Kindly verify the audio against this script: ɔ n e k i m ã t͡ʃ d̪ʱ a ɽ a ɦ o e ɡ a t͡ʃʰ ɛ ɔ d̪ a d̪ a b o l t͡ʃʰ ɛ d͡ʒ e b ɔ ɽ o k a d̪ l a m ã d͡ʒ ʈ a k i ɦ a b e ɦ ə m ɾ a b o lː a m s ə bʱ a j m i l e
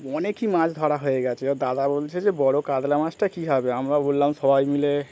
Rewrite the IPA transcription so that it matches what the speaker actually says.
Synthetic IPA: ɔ n e k i m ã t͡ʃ d̪ʱ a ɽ a ɦ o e ɡ a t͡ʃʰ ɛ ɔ d̪ a d̪ a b o l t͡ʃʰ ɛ d͡ʒ e b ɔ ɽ o k a d̪ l a m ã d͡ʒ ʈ a k i ɦ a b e ɦ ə m ɾ a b o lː a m s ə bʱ a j m i l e